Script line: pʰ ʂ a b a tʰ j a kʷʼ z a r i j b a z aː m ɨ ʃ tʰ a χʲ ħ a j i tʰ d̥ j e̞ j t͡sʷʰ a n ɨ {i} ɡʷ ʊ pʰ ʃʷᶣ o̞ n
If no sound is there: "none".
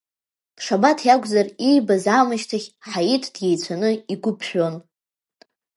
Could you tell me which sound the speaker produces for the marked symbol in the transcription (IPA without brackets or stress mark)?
i